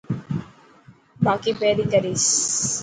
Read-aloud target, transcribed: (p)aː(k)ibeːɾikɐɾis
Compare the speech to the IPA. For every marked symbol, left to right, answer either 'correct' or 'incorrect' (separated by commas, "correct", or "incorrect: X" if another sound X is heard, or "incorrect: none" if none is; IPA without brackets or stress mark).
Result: incorrect: b, correct